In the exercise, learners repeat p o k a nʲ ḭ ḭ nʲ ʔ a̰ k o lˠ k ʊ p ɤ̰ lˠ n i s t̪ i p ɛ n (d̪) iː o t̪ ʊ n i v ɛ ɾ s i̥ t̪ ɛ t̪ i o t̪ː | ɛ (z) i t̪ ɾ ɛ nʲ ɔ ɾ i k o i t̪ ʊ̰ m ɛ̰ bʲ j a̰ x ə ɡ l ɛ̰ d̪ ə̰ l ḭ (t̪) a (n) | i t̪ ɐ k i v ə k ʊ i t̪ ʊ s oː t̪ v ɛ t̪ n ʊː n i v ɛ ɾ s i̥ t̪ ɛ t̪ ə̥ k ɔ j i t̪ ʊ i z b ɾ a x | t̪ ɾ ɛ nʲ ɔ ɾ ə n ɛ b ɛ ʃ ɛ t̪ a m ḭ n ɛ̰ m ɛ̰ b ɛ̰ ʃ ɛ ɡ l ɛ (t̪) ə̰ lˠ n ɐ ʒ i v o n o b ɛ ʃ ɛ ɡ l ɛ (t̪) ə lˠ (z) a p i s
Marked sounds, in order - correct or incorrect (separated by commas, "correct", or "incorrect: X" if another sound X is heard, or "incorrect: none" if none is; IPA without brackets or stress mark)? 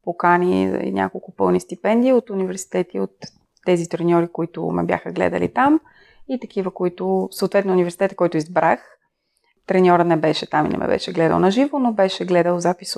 correct, correct, correct, incorrect: m, incorrect: d̪, incorrect: d̪, correct